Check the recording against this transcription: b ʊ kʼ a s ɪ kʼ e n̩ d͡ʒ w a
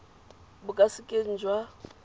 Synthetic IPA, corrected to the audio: b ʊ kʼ a s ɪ kʼ e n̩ d͡ʒ w a